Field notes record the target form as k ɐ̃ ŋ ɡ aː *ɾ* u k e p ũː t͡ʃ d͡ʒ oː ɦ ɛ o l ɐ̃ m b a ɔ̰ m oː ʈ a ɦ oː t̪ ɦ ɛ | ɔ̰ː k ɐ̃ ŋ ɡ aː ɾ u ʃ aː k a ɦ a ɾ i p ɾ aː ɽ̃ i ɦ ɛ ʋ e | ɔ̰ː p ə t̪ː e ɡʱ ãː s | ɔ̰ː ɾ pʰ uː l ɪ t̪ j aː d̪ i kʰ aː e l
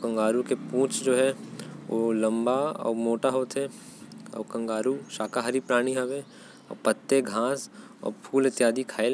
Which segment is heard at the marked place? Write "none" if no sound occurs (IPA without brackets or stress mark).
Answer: ɾ